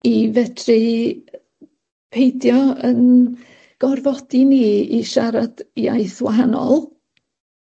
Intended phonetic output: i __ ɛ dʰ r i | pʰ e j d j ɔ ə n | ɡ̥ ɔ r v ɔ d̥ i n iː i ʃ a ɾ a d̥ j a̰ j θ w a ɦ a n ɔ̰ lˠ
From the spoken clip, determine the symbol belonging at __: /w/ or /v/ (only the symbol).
v